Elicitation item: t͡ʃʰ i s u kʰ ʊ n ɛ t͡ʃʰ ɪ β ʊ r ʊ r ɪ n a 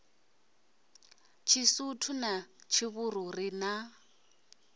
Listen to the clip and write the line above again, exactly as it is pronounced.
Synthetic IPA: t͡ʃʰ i s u tʰ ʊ n a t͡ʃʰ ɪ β ʊ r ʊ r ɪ n a